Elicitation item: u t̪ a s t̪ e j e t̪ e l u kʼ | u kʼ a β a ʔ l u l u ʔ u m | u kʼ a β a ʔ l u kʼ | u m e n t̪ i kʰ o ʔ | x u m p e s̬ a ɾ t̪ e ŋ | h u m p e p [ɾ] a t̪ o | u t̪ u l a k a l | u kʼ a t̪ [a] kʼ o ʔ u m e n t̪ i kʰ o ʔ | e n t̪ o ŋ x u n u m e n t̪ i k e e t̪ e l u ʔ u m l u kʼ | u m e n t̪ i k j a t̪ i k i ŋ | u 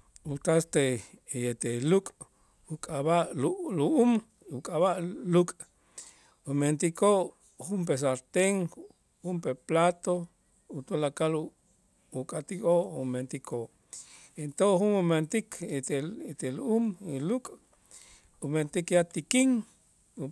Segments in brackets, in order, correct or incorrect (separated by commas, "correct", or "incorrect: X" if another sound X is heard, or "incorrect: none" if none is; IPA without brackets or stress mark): incorrect: l, incorrect: i